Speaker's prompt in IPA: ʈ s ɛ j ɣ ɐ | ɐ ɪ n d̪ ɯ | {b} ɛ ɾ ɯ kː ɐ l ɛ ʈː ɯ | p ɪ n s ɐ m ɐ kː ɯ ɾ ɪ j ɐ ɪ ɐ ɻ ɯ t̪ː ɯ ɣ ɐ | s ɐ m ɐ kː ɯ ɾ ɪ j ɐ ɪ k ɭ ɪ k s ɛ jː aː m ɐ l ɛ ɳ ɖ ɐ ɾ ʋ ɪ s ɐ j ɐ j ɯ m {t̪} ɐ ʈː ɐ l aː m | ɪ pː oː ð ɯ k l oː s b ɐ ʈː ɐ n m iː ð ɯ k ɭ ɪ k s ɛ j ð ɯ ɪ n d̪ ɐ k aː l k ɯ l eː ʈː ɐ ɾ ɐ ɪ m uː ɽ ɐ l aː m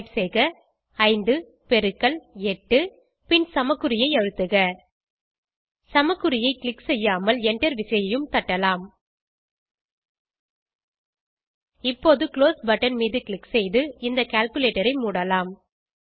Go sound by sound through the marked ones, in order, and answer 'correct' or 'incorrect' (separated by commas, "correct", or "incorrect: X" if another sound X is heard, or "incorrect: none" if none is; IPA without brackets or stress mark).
incorrect: p, correct